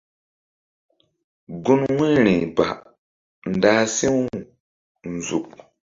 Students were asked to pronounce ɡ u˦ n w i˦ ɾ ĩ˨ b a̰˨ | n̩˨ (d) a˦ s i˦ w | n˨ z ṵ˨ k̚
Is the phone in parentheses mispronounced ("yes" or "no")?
no